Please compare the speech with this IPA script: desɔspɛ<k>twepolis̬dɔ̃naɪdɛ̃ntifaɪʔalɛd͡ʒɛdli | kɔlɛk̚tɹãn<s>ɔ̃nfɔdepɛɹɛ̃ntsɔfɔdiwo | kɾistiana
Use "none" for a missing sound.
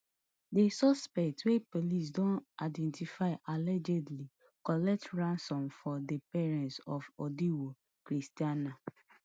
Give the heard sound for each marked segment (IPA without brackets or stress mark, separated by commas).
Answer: k, s